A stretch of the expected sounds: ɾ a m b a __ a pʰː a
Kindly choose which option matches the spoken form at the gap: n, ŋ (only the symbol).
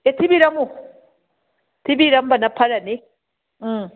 n